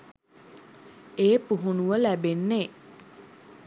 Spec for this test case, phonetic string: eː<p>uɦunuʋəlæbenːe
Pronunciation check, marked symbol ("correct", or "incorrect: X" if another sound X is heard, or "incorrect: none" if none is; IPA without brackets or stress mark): correct